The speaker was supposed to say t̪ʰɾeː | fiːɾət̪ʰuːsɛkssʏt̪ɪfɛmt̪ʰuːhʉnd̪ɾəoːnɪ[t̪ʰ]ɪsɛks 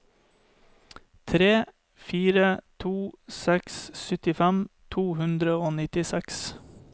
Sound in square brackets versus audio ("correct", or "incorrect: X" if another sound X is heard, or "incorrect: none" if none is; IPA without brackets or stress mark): incorrect: t̪